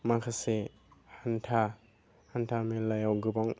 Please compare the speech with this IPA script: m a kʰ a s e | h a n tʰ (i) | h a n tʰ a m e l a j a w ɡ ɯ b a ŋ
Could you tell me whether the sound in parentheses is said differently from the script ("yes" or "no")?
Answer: yes